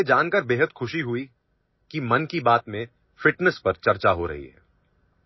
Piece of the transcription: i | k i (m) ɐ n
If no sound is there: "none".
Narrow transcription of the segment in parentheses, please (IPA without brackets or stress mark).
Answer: m